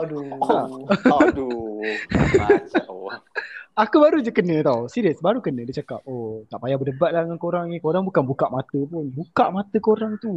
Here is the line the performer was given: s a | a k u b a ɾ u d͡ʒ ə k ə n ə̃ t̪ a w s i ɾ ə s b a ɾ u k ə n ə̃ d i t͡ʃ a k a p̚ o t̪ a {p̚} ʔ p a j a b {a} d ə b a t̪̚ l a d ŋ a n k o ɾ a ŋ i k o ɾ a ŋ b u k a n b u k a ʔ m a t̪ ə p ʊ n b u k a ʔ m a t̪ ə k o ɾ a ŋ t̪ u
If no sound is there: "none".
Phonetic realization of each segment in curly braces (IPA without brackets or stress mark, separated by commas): none, ə